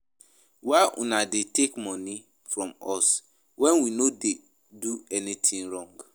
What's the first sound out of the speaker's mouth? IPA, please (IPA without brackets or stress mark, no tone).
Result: w